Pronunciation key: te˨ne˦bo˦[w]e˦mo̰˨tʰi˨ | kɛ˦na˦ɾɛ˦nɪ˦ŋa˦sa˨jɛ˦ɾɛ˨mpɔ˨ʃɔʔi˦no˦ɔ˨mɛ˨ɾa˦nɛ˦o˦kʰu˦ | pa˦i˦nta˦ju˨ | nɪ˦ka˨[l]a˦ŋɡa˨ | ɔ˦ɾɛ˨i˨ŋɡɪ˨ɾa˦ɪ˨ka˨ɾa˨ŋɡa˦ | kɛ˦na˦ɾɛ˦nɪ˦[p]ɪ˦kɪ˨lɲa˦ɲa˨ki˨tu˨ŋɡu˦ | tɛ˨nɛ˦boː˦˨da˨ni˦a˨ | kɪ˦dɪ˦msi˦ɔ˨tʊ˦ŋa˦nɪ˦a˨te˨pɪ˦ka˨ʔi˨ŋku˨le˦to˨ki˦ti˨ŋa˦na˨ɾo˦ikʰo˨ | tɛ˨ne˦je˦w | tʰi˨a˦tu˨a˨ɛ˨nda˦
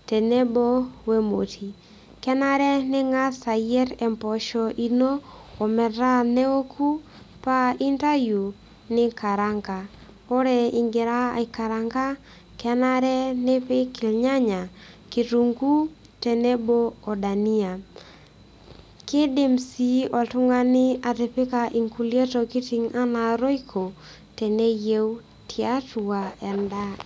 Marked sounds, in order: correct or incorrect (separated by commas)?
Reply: correct, incorrect, correct